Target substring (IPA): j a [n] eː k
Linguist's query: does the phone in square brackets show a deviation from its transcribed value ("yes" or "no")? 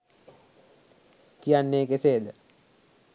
yes